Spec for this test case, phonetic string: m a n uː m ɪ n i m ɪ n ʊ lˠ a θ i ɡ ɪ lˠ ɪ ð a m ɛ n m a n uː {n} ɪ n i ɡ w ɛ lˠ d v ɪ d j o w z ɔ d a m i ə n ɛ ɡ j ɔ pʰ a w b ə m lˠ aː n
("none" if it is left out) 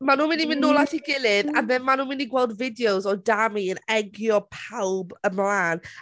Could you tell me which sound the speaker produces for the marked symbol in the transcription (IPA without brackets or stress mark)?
m